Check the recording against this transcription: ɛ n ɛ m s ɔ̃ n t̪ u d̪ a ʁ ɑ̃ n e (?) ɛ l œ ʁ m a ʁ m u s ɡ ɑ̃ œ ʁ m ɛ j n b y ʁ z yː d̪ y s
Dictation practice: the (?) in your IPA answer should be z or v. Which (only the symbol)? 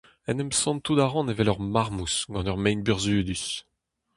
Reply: v